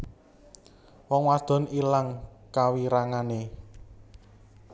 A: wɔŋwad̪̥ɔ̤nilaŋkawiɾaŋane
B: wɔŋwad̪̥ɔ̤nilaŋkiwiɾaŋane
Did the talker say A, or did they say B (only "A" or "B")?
A